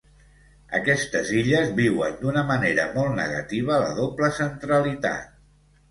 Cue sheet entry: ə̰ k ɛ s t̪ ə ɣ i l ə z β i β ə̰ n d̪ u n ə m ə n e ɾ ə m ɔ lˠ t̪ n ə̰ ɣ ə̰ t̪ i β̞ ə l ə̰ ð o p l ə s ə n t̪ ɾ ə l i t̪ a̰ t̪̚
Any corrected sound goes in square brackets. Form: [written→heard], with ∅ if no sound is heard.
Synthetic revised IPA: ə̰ k ɛ s t̪ ə [ɣ→z] i [l→ʎ] ə z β i [β→w] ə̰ n d̪ u n ə m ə n e ɾ ə m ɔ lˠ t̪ n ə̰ ɣ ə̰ t̪ i β̞ ə l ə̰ ð o p l ə s ə n t̪ ɾ ə l i t̪ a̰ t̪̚